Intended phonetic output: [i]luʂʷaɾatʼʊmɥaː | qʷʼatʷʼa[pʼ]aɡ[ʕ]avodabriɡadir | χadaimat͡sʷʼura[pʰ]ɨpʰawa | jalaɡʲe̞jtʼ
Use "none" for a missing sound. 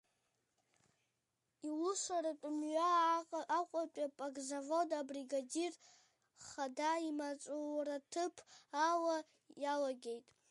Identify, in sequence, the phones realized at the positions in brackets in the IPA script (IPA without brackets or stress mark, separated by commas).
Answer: i, pʼ, z, tʰ